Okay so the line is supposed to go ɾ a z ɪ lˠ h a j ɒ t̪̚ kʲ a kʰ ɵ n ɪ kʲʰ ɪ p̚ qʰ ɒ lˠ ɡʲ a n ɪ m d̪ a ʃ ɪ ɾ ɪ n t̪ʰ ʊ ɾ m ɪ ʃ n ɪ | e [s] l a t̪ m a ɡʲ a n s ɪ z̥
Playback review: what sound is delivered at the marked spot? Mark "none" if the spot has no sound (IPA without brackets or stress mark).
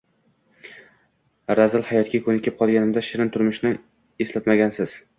s